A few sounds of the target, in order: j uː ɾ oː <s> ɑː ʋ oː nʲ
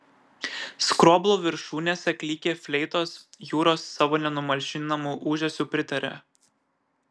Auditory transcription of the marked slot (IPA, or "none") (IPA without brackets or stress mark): sː